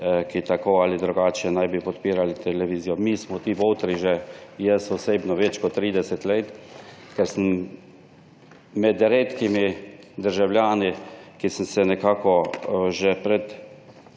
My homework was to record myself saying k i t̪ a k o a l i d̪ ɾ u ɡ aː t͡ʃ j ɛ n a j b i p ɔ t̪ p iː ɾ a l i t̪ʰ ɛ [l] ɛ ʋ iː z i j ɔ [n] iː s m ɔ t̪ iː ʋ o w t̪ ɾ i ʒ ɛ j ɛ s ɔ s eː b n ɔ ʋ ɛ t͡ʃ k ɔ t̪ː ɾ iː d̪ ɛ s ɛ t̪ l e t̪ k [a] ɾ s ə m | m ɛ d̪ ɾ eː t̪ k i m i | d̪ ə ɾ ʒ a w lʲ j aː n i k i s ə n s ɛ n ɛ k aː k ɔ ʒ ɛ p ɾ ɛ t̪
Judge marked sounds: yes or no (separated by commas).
yes, no, no